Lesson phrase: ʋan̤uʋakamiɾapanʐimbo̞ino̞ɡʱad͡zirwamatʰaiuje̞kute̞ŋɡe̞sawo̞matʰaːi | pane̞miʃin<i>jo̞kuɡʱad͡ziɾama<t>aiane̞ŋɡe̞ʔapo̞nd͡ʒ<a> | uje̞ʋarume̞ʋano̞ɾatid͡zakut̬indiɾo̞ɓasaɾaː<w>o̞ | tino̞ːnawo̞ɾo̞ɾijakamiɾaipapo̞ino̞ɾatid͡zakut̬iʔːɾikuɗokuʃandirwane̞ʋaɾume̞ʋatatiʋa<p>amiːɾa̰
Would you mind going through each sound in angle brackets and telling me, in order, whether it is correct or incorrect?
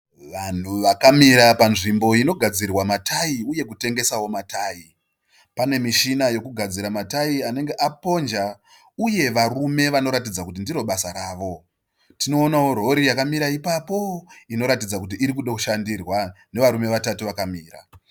incorrect: a, correct, correct, incorrect: ʋ, incorrect: k

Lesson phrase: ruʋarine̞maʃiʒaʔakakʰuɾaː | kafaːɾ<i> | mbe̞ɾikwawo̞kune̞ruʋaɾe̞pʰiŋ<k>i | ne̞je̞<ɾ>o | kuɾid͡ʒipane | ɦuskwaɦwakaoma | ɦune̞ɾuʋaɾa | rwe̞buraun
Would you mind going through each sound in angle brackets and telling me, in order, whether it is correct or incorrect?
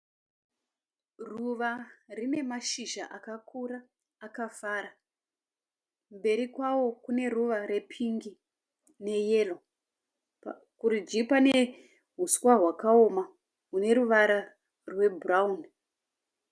incorrect: a, incorrect: ɡ, incorrect: l

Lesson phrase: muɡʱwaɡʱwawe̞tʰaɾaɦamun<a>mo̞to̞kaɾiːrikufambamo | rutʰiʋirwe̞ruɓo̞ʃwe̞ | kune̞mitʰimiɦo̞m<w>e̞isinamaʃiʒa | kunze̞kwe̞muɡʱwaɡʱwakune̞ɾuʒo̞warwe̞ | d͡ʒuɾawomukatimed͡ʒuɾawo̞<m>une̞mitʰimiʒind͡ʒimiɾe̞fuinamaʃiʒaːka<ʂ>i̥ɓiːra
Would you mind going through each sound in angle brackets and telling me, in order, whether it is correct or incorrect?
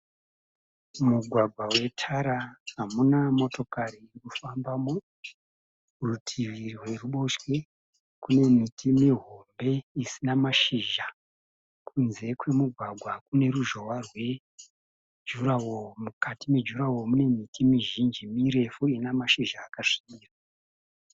correct, incorrect: b, correct, correct

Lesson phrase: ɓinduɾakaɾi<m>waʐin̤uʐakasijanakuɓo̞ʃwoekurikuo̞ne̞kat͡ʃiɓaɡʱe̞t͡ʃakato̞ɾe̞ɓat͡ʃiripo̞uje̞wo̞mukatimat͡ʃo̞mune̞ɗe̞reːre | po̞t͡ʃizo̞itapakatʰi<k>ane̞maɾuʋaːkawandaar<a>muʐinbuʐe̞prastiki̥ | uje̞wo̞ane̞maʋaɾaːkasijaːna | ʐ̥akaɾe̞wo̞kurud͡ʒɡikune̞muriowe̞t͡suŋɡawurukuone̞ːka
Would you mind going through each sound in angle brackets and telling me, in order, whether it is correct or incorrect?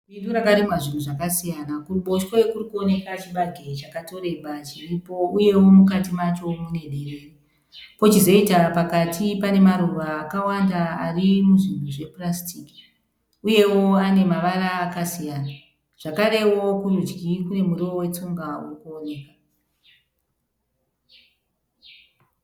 correct, incorrect: p, incorrect: i

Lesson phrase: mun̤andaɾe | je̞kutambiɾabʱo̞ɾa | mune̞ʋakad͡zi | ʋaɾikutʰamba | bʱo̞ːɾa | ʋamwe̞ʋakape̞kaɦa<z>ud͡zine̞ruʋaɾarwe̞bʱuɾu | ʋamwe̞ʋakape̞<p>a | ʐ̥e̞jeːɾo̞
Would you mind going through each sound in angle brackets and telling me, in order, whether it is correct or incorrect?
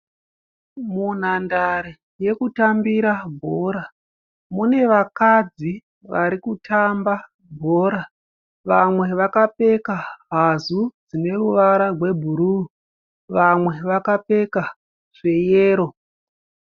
correct, incorrect: k

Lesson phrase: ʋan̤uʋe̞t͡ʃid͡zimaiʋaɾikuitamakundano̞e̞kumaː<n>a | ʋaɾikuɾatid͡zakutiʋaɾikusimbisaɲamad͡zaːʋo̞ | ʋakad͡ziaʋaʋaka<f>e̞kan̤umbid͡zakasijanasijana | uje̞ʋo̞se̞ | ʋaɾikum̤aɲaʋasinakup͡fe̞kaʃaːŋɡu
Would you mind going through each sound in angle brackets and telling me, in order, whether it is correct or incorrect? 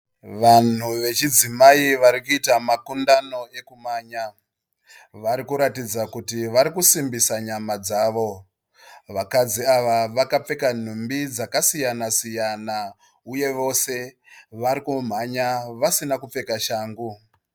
incorrect: ɲ, incorrect: p͡f

